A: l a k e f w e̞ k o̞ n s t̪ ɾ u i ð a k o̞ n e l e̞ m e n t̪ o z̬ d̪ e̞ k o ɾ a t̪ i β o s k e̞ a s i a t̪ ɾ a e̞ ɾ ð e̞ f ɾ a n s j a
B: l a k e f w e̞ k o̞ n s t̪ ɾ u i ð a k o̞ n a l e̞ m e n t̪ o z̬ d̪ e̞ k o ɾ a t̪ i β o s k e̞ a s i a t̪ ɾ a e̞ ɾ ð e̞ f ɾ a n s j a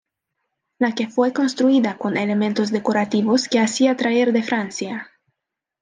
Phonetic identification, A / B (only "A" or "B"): A